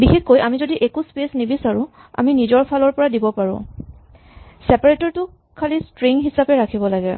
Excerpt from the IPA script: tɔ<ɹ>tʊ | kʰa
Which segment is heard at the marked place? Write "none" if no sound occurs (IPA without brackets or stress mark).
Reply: ɹ